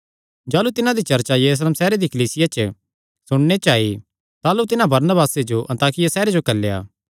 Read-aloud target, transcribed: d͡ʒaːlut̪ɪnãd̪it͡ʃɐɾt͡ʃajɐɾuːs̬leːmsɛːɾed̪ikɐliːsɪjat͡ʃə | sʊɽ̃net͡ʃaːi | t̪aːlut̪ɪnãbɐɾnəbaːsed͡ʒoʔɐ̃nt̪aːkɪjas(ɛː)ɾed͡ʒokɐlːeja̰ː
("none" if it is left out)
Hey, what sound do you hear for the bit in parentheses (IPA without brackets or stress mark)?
ɛː